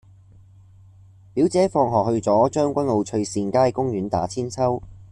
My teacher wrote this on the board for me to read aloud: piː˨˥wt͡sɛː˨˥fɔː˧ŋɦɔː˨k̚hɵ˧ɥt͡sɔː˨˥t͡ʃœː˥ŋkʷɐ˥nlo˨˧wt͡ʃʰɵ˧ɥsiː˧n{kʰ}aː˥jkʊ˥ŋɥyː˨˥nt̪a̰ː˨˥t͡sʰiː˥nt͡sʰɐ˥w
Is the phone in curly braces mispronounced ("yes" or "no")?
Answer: yes